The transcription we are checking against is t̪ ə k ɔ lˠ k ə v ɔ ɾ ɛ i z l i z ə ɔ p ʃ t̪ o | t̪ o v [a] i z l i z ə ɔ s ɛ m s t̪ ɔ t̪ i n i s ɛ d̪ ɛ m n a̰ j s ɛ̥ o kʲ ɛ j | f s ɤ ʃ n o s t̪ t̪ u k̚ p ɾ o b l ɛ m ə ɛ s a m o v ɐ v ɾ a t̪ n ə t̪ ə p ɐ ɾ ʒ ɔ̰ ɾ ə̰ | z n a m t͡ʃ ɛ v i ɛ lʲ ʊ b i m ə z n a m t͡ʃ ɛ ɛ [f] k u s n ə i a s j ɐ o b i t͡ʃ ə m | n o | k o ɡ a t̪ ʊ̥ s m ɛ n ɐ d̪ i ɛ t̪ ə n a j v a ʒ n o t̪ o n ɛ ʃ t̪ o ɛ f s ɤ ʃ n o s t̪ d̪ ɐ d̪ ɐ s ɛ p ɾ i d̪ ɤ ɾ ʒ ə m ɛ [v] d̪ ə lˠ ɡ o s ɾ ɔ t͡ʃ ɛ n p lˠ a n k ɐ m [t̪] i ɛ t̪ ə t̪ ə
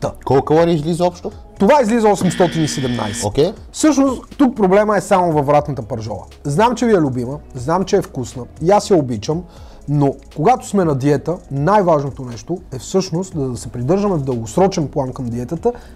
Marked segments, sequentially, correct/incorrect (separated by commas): correct, correct, correct, incorrect